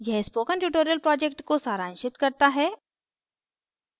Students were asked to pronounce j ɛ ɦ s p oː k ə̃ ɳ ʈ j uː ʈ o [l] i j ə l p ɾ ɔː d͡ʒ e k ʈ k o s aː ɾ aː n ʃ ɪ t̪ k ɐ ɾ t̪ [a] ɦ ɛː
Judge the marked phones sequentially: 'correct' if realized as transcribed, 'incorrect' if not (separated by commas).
incorrect, correct